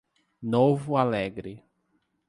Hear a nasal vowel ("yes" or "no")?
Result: no